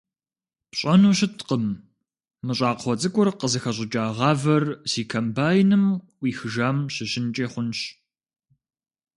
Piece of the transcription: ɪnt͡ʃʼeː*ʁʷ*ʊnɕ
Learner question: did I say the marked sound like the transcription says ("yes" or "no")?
no